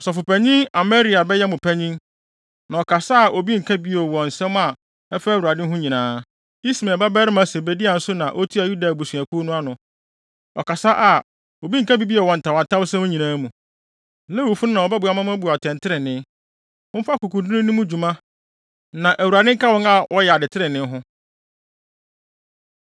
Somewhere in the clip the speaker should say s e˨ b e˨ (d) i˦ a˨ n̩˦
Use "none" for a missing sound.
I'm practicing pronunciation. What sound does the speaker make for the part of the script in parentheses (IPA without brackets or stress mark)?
d